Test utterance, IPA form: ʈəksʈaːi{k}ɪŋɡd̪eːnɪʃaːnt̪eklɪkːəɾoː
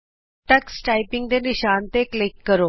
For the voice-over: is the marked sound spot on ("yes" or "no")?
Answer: no